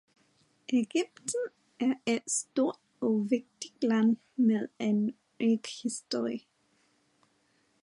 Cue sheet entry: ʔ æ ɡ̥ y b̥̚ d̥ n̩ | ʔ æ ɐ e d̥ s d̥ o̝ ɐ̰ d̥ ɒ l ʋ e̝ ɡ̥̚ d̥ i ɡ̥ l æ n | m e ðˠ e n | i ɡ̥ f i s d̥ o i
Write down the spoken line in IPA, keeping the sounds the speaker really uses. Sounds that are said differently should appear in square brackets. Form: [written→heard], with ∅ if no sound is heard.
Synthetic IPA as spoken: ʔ [æ→e] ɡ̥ y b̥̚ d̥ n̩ | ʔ æ ɐ e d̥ s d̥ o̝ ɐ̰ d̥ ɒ [l→∅] ʋ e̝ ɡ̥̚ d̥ i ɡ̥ l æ n | m e ðˠ e n | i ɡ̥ [f→h] i s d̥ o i